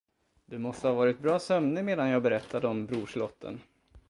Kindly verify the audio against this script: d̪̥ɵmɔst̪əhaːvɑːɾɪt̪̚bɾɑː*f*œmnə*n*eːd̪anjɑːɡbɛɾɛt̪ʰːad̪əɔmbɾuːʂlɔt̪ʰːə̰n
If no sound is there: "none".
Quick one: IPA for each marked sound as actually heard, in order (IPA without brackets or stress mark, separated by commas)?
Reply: s, m